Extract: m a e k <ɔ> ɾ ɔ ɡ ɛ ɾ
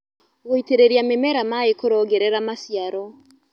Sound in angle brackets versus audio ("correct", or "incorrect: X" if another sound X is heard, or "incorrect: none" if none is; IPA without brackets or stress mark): incorrect: o